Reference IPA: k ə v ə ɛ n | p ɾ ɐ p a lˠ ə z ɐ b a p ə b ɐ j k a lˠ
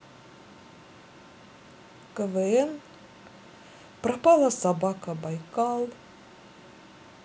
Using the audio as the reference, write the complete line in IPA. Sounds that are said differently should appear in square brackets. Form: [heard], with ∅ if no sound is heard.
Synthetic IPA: k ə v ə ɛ n | p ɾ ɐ p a lˠ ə [s] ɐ b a [k] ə b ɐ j k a lˠ